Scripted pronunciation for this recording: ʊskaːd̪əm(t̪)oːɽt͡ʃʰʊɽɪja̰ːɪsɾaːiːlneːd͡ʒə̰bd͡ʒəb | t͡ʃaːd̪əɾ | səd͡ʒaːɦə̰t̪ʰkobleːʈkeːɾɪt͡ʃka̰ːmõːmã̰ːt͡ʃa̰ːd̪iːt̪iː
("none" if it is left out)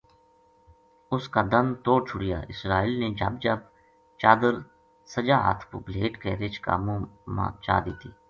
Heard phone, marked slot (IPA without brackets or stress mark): t̪